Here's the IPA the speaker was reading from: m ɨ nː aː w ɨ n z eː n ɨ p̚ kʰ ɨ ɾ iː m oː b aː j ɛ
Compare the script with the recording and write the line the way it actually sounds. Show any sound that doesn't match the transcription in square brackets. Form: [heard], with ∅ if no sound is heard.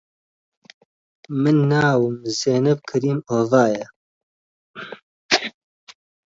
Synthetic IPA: m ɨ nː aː w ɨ [m] z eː n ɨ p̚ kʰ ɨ ɾ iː m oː [v] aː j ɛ